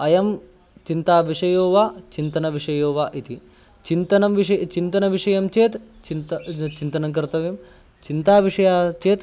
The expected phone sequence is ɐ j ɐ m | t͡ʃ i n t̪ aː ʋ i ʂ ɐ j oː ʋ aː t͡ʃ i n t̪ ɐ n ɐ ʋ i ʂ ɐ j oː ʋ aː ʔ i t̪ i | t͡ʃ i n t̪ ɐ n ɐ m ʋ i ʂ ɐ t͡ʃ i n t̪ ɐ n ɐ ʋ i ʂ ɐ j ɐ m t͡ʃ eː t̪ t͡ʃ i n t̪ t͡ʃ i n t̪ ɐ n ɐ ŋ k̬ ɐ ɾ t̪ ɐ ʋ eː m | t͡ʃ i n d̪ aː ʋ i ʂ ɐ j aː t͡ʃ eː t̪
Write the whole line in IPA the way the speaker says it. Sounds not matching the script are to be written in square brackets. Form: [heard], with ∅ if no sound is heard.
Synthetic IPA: ɐ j ɐ m | t͡ʃ i n t̪ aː ʋ i ʂ ɐ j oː ʋ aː t͡ʃ i n t̪ ɐ n ɐ ʋ i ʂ ɐ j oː ʋ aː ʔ i t̪ i | t͡ʃ i n t̪ ɐ n ɐ m ʋ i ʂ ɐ t͡ʃ i n t̪ ɐ n ɐ ʋ i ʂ ɐ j ɐ m t͡ʃ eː t̪ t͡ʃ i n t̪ t͡ʃ i n t̪ ɐ n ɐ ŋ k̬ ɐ ɾ t̪ ɐ ʋ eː m | t͡ʃ i n [t̪] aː ʋ i ʂ ɐ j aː t͡ʃ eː t̪